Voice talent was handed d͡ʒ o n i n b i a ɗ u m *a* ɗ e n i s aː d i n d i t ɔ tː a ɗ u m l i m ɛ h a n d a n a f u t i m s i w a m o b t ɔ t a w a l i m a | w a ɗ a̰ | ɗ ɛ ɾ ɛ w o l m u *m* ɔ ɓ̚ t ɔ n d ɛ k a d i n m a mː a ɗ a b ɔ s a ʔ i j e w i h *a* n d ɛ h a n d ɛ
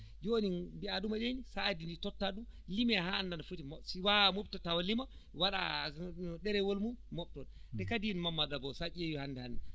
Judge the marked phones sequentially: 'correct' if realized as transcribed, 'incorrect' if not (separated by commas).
correct, correct, correct